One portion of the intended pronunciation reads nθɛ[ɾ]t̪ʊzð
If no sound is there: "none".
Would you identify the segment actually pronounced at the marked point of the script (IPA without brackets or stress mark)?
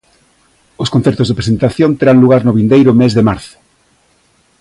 ɾ